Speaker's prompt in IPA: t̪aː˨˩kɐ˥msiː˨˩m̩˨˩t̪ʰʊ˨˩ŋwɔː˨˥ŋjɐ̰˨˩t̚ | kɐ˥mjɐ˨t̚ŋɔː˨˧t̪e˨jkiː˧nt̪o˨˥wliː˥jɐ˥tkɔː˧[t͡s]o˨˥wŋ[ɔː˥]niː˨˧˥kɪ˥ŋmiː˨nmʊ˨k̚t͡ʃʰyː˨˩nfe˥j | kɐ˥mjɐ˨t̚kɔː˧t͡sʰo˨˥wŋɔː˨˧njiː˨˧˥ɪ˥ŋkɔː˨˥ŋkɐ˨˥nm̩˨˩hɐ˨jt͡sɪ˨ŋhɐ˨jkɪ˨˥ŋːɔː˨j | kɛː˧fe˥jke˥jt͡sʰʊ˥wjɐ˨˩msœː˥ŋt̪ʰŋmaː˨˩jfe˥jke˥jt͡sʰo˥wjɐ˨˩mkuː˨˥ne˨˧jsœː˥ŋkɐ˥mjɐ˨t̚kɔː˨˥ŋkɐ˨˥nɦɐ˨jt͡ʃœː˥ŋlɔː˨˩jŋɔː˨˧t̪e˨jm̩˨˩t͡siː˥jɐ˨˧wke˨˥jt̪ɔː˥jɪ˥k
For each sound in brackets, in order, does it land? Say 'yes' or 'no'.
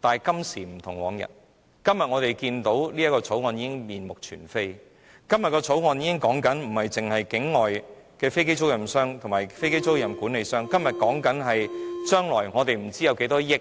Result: no, no

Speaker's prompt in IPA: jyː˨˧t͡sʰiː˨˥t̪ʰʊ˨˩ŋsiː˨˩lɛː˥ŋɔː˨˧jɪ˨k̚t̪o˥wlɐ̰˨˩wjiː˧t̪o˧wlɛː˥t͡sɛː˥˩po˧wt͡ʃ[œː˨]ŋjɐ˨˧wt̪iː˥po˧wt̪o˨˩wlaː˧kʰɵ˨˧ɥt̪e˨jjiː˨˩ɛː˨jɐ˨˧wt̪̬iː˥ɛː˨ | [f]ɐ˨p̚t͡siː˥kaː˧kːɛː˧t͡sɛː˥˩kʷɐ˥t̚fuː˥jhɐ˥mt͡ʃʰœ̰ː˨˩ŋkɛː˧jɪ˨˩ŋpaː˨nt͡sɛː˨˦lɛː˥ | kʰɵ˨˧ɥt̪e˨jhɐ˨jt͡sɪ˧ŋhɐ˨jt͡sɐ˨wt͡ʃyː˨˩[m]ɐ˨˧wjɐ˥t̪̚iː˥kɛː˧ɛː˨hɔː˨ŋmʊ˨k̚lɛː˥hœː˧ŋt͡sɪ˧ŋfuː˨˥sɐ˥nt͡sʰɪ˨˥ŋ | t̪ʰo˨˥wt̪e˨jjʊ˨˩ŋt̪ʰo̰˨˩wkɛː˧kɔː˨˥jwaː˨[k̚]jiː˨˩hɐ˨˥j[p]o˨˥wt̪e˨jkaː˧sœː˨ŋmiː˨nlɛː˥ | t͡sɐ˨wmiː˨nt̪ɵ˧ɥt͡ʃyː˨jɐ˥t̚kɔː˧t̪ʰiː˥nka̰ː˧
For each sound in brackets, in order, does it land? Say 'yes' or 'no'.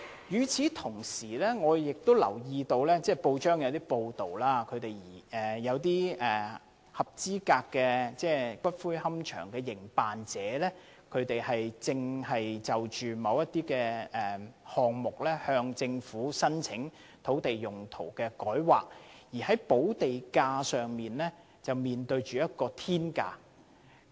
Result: no, no, yes, yes, yes

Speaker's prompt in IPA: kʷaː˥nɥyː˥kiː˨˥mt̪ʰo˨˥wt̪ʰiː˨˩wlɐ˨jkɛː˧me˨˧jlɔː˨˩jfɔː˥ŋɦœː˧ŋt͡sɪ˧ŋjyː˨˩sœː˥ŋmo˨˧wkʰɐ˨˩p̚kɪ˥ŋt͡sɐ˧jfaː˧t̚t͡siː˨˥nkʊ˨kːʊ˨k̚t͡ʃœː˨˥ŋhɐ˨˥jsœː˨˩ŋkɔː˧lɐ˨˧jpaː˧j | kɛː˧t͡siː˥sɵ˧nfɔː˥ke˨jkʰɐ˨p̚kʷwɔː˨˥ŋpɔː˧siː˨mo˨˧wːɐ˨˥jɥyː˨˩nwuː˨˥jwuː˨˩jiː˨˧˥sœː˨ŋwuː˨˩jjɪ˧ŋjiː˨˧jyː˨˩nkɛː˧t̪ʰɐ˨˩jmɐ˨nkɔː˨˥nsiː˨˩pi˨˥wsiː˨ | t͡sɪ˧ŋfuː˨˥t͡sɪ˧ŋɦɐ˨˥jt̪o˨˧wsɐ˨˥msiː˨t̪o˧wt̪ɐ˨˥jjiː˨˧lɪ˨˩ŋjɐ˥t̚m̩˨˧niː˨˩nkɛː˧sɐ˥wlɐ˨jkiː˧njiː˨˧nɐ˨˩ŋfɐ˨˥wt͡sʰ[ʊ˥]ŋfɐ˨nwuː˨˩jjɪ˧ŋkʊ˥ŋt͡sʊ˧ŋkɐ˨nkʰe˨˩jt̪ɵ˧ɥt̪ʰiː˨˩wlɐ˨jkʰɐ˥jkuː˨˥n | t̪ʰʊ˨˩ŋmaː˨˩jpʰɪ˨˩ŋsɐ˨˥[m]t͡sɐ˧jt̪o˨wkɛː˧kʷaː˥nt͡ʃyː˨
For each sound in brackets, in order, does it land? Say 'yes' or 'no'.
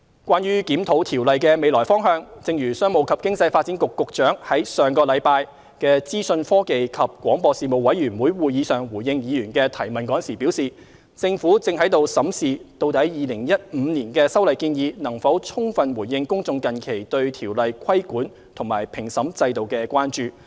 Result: yes, yes

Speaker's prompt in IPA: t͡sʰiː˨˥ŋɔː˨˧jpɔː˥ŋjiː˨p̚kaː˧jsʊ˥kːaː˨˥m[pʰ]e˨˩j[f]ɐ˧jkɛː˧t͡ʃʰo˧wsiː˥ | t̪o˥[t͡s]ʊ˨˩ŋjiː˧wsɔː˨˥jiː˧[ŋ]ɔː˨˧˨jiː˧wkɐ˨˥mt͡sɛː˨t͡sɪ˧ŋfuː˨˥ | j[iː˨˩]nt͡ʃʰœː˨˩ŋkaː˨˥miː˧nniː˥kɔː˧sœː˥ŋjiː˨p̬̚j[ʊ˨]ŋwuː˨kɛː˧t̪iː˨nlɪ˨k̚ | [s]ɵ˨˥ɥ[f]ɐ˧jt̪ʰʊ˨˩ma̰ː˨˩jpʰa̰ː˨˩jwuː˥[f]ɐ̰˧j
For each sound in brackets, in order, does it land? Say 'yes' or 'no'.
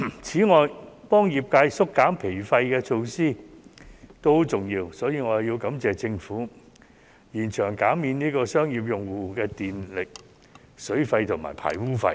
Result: yes, yes, yes, yes, yes, yes, yes, yes, yes

